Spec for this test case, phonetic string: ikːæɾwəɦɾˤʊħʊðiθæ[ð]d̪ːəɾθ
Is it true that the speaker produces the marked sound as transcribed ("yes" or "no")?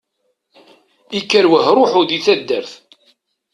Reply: no